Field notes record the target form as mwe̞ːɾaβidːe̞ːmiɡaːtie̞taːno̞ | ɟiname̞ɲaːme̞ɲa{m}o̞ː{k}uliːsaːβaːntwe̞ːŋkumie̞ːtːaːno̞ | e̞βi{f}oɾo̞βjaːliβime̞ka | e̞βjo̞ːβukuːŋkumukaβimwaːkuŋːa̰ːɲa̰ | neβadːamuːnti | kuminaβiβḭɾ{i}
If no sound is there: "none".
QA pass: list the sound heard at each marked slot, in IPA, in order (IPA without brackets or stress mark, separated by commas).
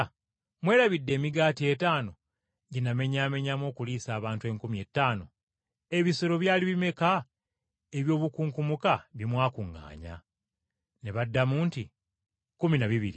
m, k, s, i